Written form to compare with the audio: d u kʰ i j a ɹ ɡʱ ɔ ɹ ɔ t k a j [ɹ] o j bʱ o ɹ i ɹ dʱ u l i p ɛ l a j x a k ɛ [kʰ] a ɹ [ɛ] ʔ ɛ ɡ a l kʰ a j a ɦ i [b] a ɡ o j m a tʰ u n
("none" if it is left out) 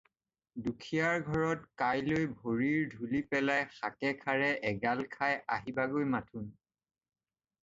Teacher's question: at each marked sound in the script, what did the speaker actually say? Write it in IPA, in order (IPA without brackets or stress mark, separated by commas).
l, kʰ, ɛ, b